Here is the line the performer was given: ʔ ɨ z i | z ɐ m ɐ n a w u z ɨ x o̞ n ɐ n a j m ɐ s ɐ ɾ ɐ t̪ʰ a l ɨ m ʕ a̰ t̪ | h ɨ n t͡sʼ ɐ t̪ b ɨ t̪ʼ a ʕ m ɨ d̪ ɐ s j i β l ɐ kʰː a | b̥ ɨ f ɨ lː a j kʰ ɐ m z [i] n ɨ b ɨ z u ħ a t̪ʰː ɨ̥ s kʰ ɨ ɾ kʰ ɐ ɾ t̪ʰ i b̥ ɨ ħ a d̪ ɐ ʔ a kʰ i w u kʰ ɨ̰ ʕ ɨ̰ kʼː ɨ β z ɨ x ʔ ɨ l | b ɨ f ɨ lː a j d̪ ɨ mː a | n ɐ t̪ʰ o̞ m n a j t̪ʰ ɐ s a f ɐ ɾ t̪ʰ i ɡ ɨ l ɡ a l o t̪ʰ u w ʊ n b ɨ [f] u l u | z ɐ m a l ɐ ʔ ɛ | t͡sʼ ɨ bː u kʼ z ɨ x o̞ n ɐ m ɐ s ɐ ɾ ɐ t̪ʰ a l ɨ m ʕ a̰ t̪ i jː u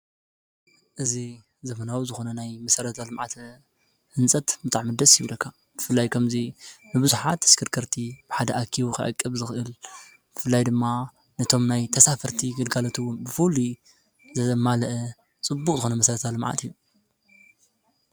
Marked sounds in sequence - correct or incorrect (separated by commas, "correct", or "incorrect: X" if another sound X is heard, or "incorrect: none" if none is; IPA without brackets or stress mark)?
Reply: correct, correct